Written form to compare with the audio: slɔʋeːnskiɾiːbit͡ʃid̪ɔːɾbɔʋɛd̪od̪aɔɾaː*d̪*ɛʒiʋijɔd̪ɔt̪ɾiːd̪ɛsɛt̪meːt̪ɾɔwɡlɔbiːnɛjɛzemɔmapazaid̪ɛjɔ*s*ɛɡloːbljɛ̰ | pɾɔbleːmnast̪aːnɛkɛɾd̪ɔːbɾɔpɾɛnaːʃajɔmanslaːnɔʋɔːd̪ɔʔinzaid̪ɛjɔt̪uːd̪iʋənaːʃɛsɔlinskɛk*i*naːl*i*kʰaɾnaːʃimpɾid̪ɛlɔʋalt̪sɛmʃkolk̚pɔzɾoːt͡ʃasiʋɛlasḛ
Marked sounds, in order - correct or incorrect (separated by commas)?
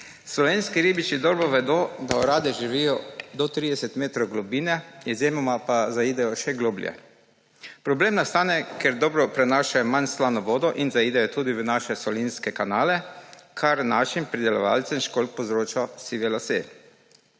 correct, incorrect, incorrect, incorrect